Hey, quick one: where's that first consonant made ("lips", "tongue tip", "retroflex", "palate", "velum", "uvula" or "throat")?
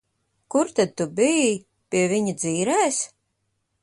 velum